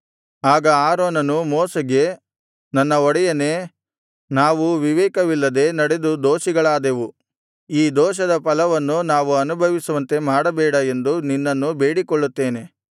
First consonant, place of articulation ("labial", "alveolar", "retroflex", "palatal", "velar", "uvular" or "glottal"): velar